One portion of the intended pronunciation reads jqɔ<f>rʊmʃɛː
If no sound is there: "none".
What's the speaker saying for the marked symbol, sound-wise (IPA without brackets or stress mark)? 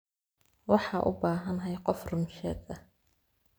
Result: f